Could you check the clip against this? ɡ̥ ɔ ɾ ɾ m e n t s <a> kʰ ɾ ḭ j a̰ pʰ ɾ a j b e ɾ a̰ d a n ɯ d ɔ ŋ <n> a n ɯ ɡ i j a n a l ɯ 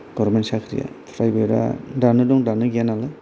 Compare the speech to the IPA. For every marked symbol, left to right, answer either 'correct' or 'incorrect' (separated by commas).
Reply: correct, incorrect